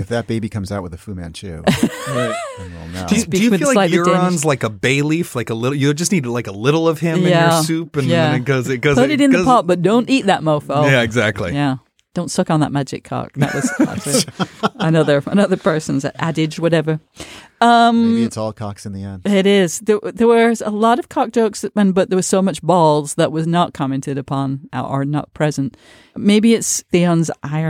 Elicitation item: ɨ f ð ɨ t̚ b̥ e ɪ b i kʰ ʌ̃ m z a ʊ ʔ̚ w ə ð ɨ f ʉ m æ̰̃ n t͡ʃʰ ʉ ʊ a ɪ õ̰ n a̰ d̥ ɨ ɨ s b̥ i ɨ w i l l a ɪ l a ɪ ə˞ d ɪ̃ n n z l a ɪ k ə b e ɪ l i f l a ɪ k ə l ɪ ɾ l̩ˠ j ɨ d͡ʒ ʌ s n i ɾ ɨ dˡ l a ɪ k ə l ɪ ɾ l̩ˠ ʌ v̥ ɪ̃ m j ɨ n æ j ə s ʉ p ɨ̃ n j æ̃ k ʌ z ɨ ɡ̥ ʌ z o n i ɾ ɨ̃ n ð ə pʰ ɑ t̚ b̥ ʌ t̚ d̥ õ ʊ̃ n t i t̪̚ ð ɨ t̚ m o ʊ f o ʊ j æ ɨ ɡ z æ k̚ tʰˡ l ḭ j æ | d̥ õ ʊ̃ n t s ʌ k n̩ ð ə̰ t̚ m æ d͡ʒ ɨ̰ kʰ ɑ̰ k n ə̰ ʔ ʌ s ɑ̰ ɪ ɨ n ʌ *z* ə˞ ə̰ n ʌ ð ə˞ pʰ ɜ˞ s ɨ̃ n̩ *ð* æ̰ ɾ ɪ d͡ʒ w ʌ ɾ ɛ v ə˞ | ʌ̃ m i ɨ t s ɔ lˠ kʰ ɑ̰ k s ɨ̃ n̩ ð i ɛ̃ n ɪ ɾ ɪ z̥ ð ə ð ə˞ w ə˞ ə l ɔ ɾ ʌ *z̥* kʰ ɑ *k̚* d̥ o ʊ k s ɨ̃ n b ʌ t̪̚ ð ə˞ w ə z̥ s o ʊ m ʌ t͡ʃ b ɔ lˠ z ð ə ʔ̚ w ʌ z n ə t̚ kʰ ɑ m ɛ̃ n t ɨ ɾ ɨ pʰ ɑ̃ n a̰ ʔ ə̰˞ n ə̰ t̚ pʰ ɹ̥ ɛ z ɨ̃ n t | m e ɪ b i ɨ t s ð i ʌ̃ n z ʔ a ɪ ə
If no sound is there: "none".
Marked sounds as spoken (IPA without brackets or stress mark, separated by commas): ð, z, v̥, k̚